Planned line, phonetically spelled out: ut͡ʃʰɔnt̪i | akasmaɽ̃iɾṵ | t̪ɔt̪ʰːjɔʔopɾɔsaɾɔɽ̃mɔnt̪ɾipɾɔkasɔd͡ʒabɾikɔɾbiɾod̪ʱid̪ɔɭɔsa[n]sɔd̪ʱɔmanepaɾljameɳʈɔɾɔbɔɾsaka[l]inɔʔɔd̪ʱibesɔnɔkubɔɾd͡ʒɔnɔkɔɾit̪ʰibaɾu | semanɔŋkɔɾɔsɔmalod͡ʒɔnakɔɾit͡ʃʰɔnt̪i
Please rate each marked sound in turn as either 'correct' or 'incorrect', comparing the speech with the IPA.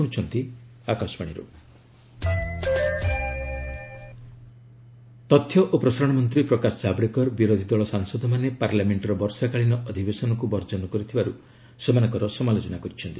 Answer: incorrect, incorrect

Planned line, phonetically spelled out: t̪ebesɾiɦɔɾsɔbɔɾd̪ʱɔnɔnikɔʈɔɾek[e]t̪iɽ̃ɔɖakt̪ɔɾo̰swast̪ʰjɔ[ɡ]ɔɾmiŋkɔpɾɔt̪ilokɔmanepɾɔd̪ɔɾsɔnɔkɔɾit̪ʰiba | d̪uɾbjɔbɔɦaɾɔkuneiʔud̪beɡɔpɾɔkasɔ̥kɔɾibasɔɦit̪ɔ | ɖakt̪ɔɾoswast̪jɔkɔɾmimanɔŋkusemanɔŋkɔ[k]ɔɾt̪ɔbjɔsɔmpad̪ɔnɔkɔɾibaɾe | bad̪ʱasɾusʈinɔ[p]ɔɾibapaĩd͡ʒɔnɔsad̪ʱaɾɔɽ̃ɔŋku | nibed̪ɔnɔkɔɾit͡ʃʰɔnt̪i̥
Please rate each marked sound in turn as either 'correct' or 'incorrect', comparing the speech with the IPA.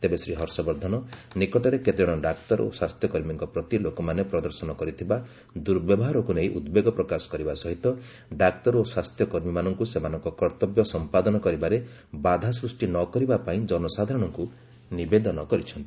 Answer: correct, incorrect, correct, incorrect

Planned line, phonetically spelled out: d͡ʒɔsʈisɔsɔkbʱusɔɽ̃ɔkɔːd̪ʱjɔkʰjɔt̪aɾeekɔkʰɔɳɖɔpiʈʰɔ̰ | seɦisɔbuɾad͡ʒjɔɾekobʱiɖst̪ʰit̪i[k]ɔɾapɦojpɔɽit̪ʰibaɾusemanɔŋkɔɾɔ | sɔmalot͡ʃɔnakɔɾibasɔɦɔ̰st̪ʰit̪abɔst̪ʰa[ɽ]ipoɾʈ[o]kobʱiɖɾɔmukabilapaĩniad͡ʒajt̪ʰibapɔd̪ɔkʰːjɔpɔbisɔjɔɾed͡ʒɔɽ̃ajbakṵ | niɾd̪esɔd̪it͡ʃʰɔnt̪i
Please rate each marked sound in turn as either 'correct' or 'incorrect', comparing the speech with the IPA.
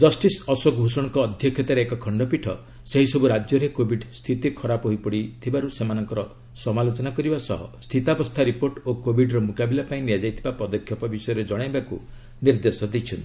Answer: incorrect, incorrect, correct

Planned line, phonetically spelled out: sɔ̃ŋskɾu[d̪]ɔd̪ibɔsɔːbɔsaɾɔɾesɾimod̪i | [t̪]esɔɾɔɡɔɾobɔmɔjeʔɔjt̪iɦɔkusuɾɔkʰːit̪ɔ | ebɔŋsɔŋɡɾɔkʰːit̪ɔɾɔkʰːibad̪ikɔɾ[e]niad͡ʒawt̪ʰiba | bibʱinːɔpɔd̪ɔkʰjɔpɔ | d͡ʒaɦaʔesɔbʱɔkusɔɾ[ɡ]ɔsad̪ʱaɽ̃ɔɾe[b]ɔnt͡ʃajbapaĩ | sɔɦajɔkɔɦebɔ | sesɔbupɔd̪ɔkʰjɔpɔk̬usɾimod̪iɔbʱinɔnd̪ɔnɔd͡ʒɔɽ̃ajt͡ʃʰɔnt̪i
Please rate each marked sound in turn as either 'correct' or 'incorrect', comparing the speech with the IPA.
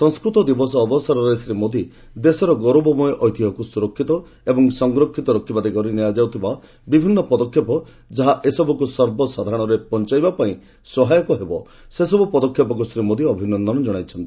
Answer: incorrect, incorrect, incorrect, incorrect, incorrect

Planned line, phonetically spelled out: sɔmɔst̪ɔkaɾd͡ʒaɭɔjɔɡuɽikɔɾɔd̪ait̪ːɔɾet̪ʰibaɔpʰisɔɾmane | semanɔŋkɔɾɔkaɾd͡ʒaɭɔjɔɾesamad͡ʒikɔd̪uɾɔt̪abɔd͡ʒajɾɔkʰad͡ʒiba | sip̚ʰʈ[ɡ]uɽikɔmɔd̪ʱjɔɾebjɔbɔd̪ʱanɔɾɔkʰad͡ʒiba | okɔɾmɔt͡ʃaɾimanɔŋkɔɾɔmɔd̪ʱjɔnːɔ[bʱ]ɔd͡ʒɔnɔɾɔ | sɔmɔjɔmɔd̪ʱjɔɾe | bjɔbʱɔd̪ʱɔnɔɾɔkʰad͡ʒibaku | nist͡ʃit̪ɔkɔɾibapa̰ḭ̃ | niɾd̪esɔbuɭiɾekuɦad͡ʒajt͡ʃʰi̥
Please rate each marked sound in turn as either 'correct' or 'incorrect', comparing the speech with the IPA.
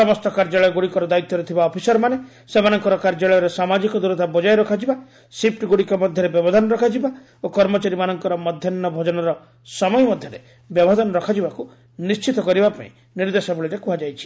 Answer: correct, correct

